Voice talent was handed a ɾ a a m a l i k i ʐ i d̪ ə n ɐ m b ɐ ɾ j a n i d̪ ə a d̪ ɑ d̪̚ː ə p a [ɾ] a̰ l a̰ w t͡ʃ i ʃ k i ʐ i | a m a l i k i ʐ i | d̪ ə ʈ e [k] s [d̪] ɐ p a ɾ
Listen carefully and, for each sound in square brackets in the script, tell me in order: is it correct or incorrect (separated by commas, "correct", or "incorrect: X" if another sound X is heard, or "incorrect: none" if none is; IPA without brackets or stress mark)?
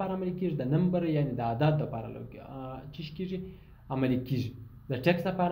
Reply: correct, correct, correct